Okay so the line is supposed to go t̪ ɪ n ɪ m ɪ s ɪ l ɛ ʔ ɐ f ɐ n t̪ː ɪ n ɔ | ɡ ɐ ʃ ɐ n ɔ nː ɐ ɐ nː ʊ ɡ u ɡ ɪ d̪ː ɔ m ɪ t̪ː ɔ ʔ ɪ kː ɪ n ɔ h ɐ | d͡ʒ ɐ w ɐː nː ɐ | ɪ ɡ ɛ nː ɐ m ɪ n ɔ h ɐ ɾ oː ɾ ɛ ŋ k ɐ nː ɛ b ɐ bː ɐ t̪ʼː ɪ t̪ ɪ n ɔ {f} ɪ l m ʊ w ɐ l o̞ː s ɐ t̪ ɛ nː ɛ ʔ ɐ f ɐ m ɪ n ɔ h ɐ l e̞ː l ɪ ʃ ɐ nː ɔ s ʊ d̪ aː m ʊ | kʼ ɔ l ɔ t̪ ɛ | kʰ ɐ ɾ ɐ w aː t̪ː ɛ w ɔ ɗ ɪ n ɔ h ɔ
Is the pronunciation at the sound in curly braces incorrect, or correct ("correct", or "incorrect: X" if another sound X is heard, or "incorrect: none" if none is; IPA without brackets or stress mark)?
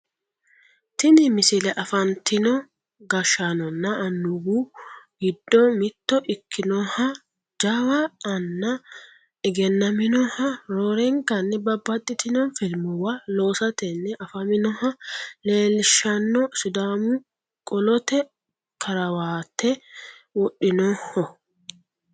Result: correct